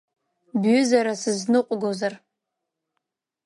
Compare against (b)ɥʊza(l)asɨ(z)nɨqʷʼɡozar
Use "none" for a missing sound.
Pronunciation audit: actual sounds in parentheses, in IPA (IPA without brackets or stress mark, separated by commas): b, ɾ, z